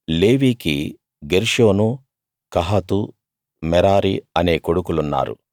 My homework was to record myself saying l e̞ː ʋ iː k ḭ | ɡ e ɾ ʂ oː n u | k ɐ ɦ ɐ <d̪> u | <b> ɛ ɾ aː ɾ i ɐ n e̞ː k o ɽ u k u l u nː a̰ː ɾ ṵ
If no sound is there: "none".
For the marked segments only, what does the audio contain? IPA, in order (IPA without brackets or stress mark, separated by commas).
t̪, m